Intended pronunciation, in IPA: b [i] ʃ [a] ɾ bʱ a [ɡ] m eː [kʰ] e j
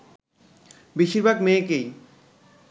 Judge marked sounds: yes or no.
yes, no, yes, no

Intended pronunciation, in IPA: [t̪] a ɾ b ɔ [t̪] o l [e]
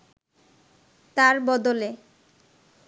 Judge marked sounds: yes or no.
yes, no, yes

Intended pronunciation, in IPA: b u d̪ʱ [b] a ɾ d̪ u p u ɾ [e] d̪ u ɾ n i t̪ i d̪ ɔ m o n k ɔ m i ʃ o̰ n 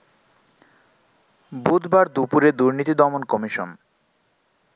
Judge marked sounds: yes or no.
yes, yes

